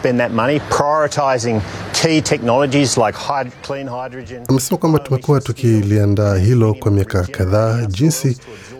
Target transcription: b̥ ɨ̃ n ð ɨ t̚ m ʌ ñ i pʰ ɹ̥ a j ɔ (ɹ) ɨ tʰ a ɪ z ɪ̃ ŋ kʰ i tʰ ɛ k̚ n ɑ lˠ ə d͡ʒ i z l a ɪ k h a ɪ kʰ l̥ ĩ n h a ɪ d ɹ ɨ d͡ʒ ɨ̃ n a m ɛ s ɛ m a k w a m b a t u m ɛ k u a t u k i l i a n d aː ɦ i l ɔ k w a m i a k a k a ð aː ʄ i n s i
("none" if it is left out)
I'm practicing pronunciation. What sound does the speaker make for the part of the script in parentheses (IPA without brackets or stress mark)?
ɹ